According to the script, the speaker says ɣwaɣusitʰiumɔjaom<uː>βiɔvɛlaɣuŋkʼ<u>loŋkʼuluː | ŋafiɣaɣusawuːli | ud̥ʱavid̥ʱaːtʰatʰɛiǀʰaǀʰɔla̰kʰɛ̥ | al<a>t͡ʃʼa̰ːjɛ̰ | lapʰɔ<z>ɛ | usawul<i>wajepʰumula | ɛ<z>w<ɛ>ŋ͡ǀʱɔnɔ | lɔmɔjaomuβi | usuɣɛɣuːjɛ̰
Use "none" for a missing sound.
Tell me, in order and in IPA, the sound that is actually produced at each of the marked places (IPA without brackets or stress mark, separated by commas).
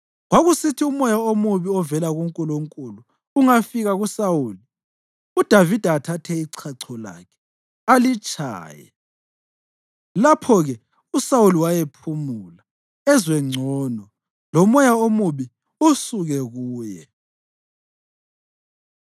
u, u, i, ɣ, i, z, ɛ